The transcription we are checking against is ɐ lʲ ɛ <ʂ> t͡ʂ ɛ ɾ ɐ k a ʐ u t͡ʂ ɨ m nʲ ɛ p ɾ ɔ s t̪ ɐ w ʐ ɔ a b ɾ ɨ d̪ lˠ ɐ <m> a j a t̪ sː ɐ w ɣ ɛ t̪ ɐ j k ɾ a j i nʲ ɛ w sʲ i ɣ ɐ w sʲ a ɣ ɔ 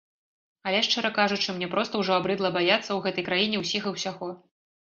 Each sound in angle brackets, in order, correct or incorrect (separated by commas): correct, incorrect